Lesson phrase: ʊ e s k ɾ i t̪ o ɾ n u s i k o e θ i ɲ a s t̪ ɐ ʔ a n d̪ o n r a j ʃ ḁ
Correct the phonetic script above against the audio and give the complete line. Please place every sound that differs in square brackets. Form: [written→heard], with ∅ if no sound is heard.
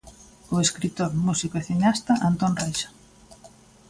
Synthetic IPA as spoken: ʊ e s k ɾ i t̪ o ɾ [n→m] u s i k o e θ i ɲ a s t̪ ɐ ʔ a n [d̪→t̪] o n r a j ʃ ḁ